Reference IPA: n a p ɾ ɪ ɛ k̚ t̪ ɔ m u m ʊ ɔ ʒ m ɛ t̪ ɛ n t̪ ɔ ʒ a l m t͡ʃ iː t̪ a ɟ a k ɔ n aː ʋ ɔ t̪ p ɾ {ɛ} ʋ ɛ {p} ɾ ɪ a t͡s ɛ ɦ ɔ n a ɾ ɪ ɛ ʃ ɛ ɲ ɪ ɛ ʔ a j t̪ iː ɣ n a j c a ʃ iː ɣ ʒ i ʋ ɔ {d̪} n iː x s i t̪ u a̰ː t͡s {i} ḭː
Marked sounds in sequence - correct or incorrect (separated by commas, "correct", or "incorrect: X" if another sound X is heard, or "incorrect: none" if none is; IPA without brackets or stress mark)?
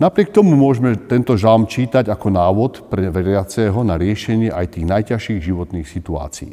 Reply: correct, incorrect: none, incorrect: t̪, correct